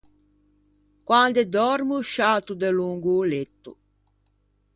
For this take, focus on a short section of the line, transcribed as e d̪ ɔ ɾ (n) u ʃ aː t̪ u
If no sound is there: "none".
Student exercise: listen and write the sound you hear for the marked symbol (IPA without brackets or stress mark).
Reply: m